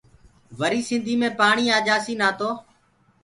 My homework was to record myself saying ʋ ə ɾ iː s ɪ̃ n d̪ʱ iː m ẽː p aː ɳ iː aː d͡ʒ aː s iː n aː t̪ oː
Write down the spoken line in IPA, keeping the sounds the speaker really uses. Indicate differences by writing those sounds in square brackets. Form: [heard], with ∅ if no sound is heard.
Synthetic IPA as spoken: ʋ ə ɾ iː s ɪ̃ n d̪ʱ iː m ẽː p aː ɳ iː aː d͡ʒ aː s iː n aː t̪ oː